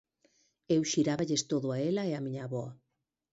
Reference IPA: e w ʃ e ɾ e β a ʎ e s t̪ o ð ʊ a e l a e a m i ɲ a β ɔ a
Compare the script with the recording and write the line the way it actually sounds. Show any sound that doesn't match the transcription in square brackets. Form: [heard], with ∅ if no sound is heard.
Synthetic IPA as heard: e w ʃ [i] ɾ [a] β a ʎ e s t̪ o ð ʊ a e l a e a m i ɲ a β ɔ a